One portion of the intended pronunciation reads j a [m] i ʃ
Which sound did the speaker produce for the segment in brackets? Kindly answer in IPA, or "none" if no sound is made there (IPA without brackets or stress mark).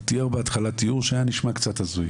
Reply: n